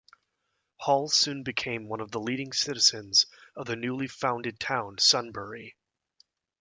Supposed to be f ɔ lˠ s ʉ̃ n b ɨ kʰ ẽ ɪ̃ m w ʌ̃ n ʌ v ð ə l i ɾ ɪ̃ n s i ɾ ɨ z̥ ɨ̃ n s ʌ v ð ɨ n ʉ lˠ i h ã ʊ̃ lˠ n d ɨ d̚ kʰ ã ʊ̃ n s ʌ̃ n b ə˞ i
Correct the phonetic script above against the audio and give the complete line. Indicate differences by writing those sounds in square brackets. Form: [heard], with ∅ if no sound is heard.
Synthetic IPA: [h] ɔ lˠ s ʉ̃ n b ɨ kʰ ẽ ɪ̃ m w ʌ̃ n ʌ v ð ə l i ɾ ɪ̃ [ŋ] s [ɪ] ɾ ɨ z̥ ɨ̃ n [z] ʌ v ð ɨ n ʉ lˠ i [f] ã ʊ̃ [∅] n d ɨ d̚ [tʰ] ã ʊ̃ n s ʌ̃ n b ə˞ i